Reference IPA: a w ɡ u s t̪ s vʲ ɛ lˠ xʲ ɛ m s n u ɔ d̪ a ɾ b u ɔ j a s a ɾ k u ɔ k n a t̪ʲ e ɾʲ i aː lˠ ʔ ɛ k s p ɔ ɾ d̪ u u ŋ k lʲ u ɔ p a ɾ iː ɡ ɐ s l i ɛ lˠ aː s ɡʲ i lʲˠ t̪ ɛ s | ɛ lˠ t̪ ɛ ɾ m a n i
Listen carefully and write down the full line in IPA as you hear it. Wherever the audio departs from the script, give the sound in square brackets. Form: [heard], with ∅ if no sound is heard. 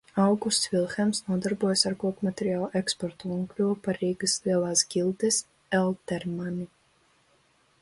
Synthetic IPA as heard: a w ɡ u s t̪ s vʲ [i] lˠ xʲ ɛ m s n u ɔ d̪ a ɾ b u ɔ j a s a ɾ k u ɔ k [m] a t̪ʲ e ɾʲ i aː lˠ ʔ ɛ k s p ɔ ɾ [t̪] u u ŋ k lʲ u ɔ p a ɾ iː ɡ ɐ s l i ɛ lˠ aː s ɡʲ i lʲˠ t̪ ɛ s | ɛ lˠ t̪ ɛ ɾ m a n i